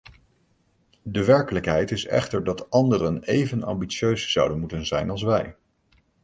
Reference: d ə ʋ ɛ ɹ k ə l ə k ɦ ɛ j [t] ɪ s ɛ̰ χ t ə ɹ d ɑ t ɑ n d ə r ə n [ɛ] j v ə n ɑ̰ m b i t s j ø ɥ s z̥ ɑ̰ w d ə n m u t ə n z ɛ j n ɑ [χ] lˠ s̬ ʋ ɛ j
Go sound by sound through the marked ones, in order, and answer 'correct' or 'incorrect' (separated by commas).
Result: correct, incorrect, incorrect